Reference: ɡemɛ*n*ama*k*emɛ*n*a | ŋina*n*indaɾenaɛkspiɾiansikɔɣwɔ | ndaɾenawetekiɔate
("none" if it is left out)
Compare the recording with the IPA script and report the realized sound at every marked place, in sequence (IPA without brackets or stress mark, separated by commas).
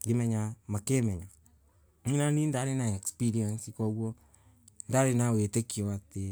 ɲ, k, ɲ, n